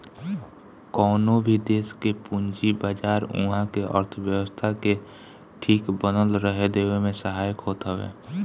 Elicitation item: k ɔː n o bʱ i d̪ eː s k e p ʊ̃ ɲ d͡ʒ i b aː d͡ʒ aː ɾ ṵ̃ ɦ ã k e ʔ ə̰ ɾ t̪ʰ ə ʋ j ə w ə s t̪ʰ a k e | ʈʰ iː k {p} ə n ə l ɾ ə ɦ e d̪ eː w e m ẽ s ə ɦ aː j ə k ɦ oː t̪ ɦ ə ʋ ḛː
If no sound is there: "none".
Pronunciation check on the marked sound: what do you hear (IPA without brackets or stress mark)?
b